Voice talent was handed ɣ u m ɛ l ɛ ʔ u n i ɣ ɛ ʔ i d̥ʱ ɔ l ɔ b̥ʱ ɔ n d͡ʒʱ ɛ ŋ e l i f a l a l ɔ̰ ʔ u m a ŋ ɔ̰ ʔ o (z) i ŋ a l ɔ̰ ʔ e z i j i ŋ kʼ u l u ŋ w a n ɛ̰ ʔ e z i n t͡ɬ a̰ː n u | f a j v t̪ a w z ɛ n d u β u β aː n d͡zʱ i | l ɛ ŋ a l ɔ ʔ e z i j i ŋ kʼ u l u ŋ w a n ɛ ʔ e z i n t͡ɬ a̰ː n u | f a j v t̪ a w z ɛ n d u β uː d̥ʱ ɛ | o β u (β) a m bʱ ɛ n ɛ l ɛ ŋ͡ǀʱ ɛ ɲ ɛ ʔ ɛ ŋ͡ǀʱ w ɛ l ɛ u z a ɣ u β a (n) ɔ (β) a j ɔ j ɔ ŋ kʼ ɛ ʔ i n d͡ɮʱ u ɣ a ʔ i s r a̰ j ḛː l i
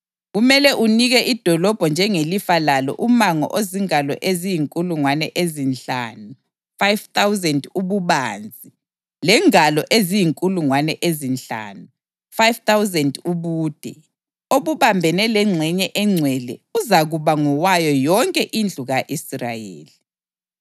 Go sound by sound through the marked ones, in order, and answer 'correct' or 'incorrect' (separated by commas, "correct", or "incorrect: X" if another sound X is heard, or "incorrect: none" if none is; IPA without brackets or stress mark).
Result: correct, correct, incorrect: ŋ, incorrect: w